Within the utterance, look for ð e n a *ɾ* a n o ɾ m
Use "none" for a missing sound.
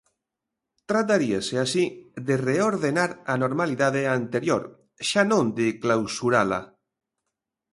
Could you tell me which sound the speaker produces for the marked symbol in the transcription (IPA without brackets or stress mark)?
ɾ